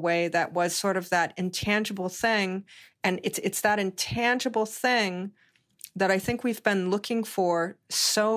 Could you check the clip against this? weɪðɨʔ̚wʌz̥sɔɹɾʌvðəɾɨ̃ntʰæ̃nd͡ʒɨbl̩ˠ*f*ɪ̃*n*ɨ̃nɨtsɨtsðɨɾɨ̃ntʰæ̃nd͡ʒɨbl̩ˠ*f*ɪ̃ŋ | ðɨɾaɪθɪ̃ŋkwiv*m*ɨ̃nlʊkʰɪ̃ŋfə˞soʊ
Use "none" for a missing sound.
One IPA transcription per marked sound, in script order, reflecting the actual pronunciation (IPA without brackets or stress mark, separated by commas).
θ, ŋ, θ, b